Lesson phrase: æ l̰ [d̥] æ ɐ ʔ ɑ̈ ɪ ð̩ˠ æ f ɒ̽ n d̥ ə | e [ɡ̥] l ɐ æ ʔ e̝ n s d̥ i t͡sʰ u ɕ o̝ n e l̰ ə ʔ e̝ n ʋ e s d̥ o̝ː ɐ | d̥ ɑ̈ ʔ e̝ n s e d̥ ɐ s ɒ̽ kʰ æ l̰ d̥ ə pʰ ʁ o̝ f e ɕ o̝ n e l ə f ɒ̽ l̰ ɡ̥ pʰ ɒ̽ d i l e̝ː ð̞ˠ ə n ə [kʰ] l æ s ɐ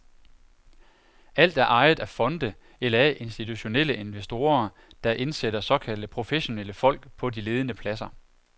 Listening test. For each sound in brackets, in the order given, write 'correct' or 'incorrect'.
correct, incorrect: none, incorrect: pʰ

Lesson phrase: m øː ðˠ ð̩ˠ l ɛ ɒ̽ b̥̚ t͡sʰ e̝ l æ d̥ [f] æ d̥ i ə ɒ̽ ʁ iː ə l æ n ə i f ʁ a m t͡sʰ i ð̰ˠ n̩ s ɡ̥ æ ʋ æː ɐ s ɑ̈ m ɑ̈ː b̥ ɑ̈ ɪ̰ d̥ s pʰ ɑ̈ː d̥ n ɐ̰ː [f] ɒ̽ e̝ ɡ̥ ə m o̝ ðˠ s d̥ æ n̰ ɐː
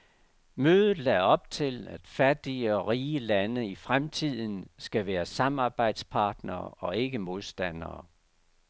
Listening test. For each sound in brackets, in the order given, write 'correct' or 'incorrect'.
correct, incorrect: none

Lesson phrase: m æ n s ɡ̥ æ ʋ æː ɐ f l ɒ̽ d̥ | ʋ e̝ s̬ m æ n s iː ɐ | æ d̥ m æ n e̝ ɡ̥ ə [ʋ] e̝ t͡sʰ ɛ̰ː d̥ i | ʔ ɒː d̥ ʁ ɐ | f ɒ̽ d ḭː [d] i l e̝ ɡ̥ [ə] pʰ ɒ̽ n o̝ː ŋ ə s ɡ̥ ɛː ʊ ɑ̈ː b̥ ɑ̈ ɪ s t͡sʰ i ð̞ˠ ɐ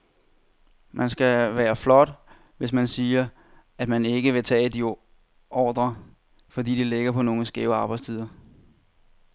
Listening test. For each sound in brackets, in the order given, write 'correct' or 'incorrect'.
correct, correct, incorrect: ɐ

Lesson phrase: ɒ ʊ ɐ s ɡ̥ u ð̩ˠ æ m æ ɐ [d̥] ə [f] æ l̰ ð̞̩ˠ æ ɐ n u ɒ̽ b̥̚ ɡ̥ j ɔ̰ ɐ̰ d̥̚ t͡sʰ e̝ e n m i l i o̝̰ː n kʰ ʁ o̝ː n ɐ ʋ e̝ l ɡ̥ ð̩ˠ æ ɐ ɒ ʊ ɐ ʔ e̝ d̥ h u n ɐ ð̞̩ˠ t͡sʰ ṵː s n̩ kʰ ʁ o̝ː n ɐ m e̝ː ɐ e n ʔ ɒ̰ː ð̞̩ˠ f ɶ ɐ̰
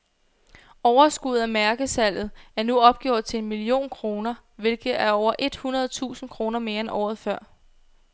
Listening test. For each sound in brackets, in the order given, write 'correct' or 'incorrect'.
incorrect: ɡ̥, incorrect: s

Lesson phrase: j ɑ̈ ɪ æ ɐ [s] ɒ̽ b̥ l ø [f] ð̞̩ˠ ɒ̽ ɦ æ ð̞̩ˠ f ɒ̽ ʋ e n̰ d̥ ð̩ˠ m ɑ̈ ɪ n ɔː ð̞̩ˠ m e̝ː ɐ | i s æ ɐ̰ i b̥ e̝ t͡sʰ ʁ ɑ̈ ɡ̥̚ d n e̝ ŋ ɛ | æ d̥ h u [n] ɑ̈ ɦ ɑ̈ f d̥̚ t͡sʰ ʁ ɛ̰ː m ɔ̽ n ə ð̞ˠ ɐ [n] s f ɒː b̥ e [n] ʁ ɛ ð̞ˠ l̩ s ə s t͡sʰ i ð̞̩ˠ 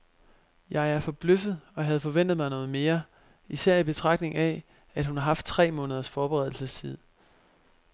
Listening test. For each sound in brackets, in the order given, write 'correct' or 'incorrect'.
incorrect: f, correct, correct, incorrect: none, incorrect: none

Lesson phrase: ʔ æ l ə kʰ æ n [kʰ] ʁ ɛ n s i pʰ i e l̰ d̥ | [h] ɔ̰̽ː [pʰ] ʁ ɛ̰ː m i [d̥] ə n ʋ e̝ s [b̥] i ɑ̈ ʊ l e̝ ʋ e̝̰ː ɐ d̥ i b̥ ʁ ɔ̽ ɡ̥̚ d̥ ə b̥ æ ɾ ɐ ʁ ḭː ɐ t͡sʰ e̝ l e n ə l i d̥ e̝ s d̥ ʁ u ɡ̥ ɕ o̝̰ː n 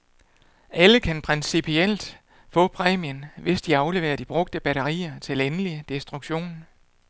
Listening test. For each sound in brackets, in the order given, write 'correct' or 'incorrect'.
incorrect: pʰ, incorrect: f, correct, incorrect: none, incorrect: d̥

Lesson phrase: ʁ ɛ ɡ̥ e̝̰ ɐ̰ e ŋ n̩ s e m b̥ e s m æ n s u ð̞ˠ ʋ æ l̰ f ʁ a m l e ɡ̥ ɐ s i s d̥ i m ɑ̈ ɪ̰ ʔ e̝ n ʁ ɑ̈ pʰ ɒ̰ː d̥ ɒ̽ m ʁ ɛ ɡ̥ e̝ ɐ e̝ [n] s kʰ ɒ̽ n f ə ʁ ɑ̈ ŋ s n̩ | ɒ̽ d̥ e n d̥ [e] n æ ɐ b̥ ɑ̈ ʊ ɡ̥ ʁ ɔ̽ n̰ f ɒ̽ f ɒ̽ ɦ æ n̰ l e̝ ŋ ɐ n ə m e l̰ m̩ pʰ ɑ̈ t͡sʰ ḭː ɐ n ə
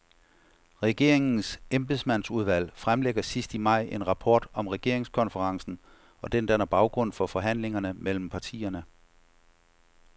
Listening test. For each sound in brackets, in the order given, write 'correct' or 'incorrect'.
incorrect: ŋ, incorrect: æ

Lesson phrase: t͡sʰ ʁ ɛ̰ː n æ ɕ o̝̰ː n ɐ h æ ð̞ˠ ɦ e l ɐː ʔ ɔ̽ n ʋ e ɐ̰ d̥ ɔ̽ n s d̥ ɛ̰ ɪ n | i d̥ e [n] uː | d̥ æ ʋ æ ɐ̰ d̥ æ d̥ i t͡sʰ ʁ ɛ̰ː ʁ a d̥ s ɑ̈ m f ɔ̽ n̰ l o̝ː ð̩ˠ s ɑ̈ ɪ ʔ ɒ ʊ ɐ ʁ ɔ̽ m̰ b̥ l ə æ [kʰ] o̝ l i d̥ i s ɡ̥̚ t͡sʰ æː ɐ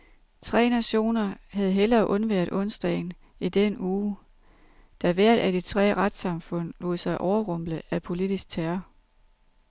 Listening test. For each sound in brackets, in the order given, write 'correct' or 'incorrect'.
correct, incorrect: pʰ

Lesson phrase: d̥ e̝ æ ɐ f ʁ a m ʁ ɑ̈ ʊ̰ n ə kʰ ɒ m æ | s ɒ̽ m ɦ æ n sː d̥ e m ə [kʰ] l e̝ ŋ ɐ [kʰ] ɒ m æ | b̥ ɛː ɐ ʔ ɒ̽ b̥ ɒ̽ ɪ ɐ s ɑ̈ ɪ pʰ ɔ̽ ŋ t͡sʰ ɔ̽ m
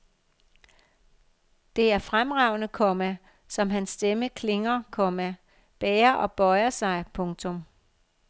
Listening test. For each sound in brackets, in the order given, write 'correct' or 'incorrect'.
correct, correct

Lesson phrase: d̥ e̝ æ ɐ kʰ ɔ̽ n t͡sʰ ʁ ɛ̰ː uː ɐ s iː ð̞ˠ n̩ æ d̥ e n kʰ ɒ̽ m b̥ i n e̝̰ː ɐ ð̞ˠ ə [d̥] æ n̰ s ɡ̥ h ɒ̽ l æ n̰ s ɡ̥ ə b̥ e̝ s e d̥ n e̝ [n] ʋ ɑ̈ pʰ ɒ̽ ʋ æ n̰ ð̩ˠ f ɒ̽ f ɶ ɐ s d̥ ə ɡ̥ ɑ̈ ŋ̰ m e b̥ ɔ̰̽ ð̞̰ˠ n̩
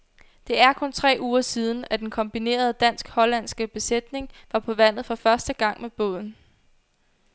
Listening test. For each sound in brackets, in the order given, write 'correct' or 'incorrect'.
correct, incorrect: ŋ

